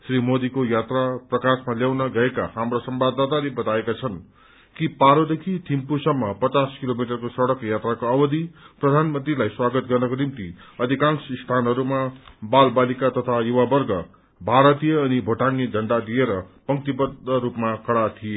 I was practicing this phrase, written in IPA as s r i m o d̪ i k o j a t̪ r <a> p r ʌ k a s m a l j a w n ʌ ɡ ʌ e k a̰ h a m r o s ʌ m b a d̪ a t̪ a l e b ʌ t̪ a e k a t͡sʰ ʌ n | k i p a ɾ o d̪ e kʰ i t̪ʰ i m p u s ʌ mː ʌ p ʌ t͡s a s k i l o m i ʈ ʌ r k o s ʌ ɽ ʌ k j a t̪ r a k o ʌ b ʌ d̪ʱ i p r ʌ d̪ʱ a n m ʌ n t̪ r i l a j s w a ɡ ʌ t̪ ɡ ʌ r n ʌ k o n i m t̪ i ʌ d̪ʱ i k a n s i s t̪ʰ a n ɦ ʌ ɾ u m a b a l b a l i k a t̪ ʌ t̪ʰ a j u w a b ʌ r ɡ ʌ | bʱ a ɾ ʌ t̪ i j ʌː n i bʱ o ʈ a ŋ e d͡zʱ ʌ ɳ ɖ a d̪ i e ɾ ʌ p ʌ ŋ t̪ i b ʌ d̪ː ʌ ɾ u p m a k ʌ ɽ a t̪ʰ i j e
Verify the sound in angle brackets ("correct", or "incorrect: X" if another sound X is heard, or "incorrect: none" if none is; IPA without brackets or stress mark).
correct